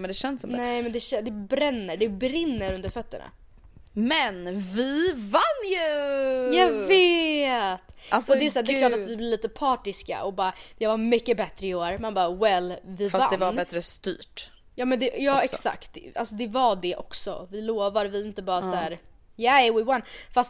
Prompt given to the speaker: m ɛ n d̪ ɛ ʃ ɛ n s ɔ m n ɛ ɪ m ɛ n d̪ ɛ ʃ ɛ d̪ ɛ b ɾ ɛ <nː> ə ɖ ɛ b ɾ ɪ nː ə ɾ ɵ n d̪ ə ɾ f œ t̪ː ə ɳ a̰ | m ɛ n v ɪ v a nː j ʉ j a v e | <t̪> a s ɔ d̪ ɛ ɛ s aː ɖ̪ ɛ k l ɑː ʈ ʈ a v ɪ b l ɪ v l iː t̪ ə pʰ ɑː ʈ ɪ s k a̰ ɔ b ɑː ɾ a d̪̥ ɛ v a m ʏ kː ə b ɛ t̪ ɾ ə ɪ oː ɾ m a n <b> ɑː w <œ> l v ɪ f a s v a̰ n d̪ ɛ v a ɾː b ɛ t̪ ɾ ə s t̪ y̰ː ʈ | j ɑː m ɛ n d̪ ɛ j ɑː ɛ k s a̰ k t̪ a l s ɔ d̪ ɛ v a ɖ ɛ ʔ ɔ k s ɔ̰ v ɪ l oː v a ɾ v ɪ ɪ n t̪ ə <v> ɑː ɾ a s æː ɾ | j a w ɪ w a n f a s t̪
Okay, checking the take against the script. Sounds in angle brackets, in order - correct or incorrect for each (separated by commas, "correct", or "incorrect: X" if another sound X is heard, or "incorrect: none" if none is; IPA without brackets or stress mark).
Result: correct, correct, correct, incorrect: ɛ, incorrect: b